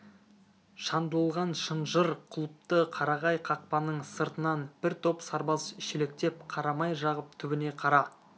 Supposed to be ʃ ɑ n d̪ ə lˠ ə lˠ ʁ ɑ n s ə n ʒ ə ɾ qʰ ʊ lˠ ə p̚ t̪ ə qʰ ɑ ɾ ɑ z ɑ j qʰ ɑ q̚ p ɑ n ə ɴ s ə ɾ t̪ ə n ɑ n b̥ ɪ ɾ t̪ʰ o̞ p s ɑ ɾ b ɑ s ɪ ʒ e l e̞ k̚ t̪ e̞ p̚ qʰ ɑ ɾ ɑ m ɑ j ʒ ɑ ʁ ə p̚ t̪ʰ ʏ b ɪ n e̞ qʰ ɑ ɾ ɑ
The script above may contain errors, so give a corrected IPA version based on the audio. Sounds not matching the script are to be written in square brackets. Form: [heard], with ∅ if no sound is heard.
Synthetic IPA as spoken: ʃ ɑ n d̪ ə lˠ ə lˠ ʁ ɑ n [ʃ] ə n ʒ ə ɾ qʰ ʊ lˠ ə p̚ t̪ ə qʰ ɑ ɾ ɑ [ʁ] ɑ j qʰ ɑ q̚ p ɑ n ə ɴ s ə ɾ t̪ ə n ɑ n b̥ ɪ ɾ t̪ʰ o̞ p s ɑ ɾ b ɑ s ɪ [ʃ] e l e̞ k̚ t̪ e̞ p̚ qʰ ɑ ɾ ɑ m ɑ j ʒ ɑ ʁ ə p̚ t̪ʰ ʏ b ɪ n e̞ qʰ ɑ ɾ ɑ